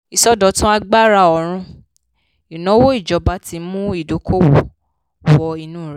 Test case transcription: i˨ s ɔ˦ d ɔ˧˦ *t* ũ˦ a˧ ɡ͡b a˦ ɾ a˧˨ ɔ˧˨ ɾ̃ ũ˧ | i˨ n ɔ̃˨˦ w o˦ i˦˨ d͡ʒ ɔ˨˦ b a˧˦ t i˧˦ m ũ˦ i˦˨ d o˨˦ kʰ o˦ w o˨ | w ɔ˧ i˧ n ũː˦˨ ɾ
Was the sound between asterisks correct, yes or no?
yes